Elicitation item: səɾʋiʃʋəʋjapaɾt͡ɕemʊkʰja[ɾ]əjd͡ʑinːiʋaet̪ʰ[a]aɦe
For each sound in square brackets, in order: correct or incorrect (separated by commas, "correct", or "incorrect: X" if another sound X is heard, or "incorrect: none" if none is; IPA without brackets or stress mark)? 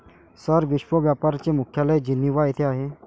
incorrect: l, incorrect: e